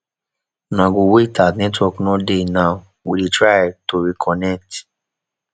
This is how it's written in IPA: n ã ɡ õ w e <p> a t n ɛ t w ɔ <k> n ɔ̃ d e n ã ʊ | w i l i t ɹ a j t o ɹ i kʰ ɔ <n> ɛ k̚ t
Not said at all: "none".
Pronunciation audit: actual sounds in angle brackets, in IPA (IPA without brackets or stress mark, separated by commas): t, k, n